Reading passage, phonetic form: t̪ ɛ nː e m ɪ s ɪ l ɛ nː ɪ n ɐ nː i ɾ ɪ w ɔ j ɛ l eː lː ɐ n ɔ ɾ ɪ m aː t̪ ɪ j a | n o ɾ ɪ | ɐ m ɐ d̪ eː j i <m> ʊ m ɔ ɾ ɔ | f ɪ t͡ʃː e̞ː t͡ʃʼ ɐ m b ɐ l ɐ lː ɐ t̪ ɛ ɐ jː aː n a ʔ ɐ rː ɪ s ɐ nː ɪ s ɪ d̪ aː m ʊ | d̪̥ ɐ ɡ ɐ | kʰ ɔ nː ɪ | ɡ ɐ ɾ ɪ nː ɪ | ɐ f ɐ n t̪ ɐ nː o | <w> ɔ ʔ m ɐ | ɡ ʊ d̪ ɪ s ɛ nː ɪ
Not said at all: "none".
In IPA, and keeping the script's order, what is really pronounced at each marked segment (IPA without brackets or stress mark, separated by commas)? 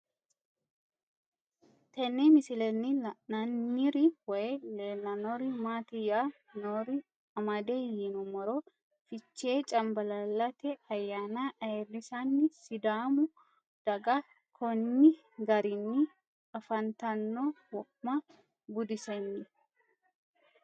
n, w